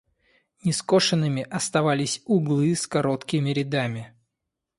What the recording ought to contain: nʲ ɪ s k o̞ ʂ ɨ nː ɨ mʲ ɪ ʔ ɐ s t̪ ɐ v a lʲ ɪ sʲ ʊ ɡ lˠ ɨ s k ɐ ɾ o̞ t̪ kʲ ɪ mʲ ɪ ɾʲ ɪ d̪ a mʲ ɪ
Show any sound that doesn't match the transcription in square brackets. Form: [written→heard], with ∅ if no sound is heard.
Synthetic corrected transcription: nʲ ɪ s k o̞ ʂ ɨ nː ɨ mʲ ɪ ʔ ɐ s t̪ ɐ v a lʲ ɪ sʲ ʊ ɡ lˠ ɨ s k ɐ ɾ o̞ t̪ kʲ ɪ mʲ ɪ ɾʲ ɪ d̪ a mʲ ɪ